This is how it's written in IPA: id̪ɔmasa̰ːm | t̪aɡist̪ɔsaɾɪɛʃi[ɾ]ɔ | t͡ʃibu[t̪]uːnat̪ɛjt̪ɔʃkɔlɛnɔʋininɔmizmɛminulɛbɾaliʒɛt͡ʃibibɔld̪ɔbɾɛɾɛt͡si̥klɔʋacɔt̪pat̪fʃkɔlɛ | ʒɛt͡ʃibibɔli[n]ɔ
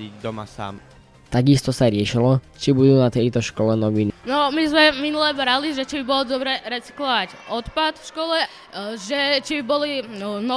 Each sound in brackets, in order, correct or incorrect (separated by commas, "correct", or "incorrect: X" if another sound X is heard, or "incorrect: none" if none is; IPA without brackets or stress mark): incorrect: l, incorrect: d̪, correct